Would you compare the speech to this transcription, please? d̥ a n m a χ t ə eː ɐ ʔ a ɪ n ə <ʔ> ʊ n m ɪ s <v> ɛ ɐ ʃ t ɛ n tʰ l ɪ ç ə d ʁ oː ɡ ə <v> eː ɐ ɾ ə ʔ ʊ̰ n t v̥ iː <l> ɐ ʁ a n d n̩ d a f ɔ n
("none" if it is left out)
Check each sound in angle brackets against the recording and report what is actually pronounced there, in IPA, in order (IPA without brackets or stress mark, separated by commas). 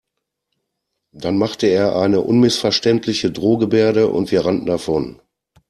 ʔ, f, b, none